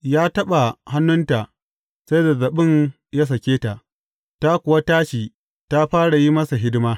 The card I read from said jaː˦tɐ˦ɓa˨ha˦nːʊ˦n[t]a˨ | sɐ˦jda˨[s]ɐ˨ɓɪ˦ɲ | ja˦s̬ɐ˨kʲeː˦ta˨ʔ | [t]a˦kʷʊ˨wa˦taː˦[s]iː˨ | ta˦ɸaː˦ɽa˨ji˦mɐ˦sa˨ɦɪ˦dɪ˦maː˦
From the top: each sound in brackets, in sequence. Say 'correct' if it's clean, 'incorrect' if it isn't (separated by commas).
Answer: correct, incorrect, correct, incorrect